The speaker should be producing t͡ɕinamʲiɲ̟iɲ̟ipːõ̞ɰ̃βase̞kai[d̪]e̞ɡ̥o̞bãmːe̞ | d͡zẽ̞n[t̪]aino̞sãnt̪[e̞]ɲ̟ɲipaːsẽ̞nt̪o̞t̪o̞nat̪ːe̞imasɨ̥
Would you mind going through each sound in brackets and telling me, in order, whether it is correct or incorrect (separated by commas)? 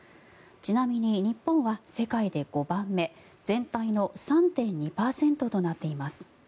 correct, correct, incorrect